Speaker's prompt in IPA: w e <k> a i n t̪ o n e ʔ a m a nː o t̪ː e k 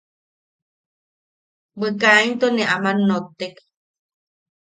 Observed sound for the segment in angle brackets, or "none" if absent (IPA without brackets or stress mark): k